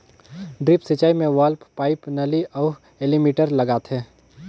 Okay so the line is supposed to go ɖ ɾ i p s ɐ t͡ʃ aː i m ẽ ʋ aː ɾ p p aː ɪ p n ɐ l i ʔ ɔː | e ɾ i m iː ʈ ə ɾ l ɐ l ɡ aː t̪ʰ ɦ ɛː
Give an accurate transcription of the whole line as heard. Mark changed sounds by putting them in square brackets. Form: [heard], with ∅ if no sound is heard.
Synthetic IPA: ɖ ɾ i p s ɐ t͡ʃ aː i m ẽ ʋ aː [l] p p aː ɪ p n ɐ l i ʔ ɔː | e [l] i m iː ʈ ə ɾ l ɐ [∅] ɡ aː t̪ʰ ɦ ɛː